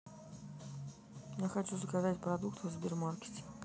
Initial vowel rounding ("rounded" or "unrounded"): unrounded